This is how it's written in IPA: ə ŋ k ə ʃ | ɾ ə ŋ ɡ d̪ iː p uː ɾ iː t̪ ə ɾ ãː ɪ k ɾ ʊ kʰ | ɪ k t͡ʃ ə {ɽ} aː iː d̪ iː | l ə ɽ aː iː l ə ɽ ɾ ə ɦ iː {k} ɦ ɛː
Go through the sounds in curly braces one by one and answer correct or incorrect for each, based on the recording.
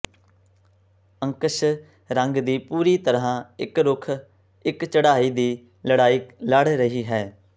correct, incorrect: none

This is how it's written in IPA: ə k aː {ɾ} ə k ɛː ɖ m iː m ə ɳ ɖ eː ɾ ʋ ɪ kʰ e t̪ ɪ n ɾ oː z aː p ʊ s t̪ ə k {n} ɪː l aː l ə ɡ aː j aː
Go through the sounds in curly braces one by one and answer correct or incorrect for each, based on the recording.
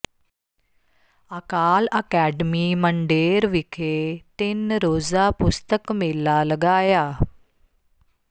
incorrect: l, incorrect: m

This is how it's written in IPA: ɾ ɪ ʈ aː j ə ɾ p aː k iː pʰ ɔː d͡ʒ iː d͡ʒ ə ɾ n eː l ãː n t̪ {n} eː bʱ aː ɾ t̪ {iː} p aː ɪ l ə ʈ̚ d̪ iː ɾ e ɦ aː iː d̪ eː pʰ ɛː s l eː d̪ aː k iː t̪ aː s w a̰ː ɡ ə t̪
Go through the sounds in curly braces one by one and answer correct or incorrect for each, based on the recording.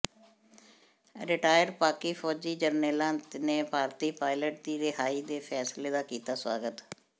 correct, correct

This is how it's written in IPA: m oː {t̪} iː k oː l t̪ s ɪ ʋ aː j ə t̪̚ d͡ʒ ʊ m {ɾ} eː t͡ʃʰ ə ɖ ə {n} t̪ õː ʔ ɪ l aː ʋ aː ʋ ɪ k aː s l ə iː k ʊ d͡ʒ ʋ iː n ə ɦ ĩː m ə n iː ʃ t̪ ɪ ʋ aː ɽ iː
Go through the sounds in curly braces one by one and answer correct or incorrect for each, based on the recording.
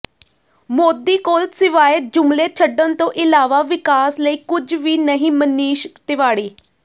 incorrect: d̪, incorrect: l, correct

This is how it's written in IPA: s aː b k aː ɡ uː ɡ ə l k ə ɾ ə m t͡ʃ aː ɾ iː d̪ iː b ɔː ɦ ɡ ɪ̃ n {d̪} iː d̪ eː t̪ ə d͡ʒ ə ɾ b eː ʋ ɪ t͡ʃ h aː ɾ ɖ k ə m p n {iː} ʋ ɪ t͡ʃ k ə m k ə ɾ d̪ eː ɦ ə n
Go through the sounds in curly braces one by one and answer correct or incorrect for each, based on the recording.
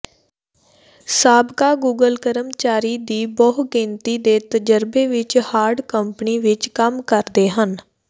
incorrect: t̪, correct

